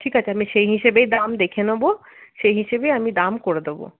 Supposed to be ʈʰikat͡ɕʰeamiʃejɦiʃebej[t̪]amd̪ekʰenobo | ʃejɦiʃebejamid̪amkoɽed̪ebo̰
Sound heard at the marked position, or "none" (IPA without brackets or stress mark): d̪